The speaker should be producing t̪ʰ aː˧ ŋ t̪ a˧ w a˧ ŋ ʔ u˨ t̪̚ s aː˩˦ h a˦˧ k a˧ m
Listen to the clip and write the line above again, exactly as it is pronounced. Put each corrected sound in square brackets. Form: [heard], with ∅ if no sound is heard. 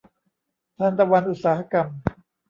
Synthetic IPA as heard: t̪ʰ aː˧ [n] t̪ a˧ w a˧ [n] ʔ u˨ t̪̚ s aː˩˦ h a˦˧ k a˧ m